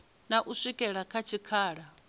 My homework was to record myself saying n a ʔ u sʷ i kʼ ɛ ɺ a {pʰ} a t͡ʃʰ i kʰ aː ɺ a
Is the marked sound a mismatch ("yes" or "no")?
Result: yes